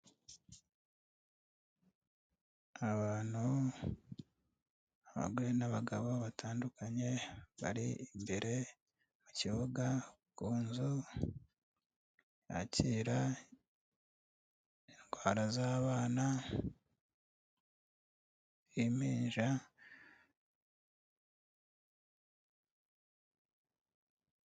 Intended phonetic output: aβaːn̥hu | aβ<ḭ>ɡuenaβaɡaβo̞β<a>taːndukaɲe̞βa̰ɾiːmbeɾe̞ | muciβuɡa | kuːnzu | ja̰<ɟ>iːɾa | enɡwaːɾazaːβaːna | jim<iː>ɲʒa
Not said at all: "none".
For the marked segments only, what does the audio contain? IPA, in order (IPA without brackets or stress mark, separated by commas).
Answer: a̰, a, c, iː